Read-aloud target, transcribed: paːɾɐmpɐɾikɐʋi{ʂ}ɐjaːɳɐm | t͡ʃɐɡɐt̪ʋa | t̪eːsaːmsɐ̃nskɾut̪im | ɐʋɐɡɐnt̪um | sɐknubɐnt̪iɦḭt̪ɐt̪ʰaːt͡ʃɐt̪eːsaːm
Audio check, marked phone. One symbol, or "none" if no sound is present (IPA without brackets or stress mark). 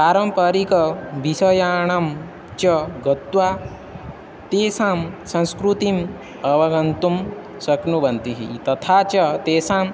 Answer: s